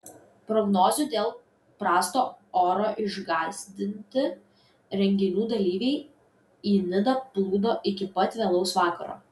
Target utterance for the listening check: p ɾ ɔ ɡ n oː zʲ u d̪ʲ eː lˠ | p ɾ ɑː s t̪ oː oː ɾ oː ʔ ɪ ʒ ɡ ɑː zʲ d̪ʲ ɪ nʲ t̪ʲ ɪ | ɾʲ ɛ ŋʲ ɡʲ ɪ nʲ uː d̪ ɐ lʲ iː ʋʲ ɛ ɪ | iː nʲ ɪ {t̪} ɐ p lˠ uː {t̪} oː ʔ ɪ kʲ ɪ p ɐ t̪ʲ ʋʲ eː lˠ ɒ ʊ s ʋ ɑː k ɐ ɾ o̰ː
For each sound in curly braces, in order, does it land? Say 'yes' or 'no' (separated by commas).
no, no